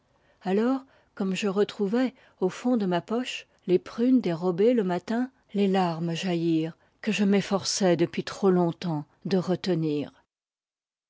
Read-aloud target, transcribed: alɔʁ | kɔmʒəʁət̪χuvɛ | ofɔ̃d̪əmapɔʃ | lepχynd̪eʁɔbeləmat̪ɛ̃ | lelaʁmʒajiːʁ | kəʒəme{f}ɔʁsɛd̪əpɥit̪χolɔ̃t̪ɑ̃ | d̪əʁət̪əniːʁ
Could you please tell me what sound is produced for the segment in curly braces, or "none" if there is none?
f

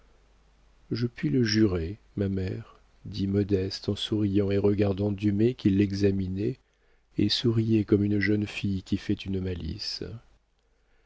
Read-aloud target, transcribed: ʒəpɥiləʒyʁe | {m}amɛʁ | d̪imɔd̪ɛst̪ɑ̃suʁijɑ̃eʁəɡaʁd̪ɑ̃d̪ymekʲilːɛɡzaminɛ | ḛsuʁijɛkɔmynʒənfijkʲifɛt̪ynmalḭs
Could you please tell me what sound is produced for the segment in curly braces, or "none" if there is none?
m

